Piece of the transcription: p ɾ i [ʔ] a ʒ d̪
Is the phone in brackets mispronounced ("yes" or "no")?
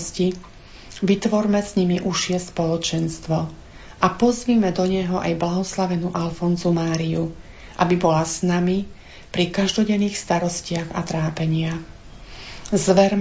yes